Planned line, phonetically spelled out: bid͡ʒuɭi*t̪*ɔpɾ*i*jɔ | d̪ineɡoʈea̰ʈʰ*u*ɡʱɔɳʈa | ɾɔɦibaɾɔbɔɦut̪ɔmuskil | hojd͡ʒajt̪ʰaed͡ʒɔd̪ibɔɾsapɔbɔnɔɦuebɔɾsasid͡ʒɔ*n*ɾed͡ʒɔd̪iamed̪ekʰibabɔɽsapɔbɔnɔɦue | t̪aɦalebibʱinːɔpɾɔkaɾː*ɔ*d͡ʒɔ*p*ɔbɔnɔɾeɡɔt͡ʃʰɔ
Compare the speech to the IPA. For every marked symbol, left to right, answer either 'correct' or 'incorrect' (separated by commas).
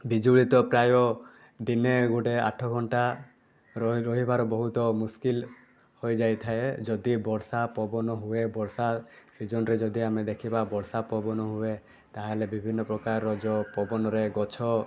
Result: correct, incorrect, incorrect, correct, correct, correct